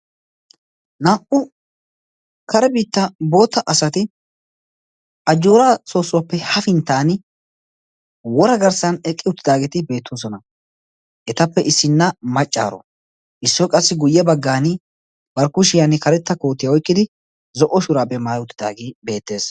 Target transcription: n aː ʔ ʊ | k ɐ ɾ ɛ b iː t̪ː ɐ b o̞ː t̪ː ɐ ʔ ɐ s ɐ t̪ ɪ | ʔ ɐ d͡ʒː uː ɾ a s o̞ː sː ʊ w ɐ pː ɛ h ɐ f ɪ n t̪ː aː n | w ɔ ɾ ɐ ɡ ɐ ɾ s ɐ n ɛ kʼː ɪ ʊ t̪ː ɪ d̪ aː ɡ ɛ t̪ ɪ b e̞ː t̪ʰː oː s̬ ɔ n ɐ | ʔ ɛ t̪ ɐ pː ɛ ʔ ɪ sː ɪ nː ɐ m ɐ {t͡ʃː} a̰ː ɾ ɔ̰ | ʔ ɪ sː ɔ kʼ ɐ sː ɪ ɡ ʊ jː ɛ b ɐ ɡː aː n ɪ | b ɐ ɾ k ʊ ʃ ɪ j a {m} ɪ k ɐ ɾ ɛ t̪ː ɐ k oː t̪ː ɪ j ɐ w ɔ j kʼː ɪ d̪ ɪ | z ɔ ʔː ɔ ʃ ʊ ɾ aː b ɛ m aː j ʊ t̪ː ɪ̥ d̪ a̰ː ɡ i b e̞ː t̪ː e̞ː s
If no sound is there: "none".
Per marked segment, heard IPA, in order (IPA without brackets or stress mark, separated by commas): t͡ʃʼː, n